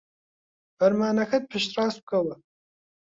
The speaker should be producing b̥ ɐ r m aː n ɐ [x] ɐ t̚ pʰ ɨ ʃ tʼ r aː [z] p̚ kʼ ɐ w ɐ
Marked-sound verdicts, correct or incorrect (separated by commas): correct, incorrect